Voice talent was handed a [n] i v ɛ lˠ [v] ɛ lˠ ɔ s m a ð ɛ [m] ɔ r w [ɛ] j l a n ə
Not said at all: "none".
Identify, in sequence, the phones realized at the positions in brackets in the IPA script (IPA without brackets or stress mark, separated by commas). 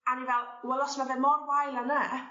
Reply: n, w, m, a